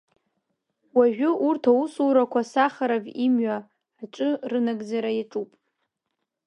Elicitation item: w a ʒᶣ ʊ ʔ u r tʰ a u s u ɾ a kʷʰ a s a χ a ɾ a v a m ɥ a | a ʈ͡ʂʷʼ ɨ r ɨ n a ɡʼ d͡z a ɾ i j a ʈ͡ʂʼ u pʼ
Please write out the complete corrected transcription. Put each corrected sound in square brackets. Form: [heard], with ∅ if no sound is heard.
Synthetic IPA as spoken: w a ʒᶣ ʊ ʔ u r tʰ a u s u ɾ a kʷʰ a s a χ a ɾ a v [i] m ɥ a | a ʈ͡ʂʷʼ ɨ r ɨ n a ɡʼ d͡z a ɾ [a] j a ʈ͡ʂʼ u pʼ